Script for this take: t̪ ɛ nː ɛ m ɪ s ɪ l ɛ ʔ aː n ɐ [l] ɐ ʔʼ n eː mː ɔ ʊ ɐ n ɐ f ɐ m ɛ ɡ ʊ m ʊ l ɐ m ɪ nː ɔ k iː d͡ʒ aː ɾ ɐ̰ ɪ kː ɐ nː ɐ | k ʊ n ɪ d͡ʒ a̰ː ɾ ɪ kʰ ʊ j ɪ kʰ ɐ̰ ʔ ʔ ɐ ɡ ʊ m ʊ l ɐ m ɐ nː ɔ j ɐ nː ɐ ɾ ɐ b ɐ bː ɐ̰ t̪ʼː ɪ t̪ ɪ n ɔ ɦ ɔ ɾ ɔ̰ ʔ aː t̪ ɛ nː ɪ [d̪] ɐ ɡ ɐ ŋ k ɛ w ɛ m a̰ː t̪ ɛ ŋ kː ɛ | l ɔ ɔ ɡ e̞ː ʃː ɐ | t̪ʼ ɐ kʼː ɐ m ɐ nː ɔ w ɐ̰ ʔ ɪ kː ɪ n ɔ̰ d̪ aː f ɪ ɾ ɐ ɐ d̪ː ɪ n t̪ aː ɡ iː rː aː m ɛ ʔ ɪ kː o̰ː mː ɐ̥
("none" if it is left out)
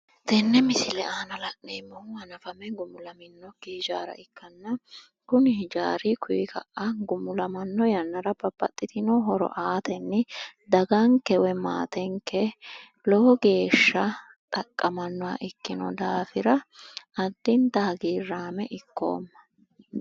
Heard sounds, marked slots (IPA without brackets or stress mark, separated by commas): l, d̪